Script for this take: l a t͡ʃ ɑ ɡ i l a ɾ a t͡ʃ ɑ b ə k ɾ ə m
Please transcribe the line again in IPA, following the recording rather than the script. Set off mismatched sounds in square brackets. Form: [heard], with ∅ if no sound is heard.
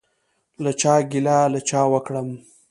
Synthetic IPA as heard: l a t͡ʃ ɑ ɡ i l a [l] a t͡ʃ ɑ [w] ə k [ɽ] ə m